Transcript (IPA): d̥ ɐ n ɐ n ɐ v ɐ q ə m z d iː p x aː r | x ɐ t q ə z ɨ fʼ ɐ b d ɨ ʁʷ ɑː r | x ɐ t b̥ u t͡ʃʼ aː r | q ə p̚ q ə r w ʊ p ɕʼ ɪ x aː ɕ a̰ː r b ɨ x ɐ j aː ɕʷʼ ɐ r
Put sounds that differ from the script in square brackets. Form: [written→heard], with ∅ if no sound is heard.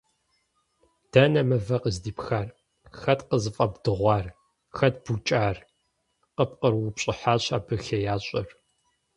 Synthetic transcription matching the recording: d̥ ɐ n ɐ [n→m] ɐ v ɐ q ə [m→∅] z d iː p x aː r | x ɐ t q ə z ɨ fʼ ɐ b d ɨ ʁʷ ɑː r | x ɐ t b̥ u t͡ʃʼ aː r | q ə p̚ q ə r w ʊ p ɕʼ ɪ [x→ħ] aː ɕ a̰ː [r→∅] b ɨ x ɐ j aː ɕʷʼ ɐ r